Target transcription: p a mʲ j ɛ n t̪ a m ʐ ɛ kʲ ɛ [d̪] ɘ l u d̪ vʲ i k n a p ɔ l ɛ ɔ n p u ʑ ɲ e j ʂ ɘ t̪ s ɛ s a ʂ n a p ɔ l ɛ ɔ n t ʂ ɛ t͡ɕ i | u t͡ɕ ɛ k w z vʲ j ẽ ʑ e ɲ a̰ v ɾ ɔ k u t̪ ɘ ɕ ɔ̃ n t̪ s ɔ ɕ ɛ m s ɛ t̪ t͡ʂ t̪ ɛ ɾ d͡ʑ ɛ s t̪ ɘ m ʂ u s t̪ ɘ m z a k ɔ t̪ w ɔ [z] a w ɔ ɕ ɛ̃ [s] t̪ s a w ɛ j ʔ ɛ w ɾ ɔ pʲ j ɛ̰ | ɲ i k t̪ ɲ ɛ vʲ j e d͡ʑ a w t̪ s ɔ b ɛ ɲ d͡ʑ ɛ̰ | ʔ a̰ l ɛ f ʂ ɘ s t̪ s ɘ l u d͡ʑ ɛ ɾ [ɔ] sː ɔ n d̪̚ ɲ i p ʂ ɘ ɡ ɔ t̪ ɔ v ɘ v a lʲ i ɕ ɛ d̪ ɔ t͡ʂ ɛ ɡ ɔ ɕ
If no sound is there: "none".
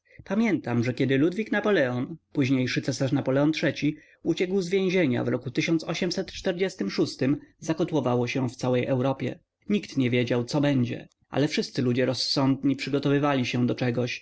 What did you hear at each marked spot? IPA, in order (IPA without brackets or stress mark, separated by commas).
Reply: d̪, v, f, ɔ